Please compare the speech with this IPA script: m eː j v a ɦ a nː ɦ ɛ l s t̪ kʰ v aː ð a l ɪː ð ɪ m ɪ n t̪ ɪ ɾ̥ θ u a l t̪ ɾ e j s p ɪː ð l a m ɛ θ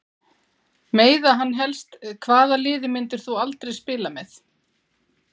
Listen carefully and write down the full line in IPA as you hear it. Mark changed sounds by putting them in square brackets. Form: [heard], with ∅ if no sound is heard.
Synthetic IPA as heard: m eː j [ð] a ɦ a nː ɦ ɛ l s t̪ kʰ v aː ð a l ɪː ð ɪ m ɪ n t̪ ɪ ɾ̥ θ u a l t̪ ɾ e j s p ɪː [∅] l a m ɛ θ